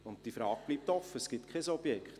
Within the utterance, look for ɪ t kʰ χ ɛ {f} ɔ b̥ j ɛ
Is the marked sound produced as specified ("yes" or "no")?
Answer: no